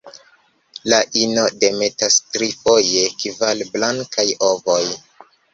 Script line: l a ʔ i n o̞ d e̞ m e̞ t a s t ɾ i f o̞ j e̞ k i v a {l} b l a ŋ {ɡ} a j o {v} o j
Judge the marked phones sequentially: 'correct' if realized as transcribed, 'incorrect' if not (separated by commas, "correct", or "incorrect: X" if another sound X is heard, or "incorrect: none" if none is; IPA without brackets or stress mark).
correct, incorrect: k, correct